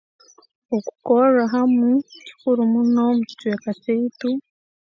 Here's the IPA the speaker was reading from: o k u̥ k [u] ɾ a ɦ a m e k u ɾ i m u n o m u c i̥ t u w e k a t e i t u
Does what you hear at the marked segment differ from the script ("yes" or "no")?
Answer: yes